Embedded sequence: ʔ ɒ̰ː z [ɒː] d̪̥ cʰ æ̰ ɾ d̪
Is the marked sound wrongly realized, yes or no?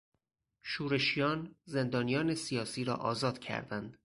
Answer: no